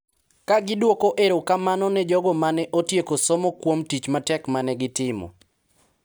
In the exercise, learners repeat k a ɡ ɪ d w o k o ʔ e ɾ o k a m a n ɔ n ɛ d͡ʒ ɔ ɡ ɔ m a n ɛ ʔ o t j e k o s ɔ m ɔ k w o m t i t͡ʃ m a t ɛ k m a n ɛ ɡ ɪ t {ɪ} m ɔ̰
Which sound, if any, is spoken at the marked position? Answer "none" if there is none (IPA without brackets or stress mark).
ɪ